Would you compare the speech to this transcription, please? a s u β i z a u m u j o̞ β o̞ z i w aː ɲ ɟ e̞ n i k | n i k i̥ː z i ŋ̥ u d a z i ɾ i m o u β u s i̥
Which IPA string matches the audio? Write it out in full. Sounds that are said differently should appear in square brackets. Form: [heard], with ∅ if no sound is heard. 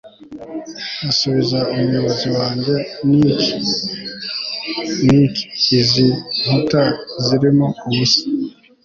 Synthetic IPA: a s u β i z a u m u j o̞ β o̞ z i w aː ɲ ɟ e̞ n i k | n i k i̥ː z i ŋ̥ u [t] a z i ɾ i m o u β u s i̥